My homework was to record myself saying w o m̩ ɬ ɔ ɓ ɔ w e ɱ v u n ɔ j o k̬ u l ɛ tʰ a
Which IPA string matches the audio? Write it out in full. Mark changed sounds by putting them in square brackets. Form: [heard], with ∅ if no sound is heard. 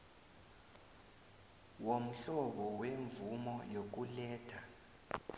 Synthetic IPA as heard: w o m̩ ɬ ɔ ɓ ɔ w e ɱ v u [m] ɔ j o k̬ u l [ɛː] tʰ a